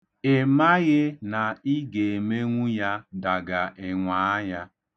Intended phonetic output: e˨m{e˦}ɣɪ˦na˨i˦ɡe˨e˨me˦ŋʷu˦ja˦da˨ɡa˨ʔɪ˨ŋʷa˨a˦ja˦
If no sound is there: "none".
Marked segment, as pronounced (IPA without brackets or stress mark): a˦